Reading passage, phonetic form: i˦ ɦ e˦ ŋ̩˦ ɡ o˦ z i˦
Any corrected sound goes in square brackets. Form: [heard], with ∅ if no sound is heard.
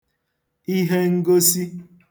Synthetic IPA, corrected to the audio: i˦ ɦ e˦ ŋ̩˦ ɡ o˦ [s] i˦